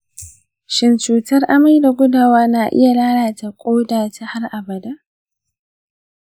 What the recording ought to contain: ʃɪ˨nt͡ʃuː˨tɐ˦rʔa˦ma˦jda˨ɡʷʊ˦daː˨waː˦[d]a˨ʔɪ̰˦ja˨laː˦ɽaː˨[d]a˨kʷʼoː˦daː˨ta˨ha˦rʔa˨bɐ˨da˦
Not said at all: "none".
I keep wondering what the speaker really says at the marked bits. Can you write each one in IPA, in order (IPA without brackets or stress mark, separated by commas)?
n, t